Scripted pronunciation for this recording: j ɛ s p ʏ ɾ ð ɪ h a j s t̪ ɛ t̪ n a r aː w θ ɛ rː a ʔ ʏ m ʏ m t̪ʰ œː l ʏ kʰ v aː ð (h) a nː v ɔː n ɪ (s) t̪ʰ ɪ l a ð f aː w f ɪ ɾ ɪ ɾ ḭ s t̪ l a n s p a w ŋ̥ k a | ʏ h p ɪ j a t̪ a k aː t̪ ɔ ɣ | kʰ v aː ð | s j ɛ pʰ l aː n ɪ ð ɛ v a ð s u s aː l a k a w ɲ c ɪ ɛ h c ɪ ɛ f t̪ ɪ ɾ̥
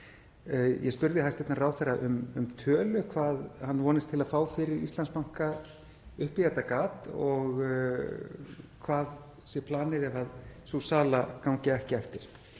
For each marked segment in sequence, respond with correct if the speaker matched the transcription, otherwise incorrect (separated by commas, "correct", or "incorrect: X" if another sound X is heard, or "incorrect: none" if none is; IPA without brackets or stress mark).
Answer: correct, correct